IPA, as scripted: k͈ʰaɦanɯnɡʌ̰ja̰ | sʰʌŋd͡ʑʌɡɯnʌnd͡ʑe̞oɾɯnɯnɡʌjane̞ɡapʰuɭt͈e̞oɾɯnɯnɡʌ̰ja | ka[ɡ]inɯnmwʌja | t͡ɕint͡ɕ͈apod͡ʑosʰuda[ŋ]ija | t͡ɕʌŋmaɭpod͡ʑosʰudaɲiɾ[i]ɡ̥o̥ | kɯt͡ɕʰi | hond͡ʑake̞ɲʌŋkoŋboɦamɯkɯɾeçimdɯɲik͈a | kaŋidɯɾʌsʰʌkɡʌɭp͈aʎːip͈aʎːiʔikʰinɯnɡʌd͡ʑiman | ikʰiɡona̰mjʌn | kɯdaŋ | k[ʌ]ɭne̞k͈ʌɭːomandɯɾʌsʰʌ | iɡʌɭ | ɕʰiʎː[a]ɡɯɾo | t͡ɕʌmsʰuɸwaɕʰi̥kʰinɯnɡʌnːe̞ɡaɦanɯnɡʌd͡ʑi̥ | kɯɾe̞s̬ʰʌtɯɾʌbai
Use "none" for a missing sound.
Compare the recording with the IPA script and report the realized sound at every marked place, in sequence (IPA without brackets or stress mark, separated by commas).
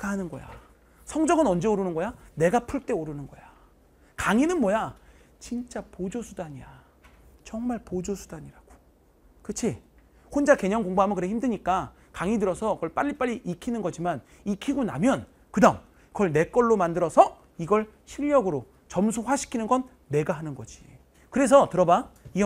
ŋ, ɲ, a, ʌ, ʌ